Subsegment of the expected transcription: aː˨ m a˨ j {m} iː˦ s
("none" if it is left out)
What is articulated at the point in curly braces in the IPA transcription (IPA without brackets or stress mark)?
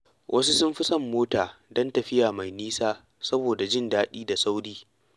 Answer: n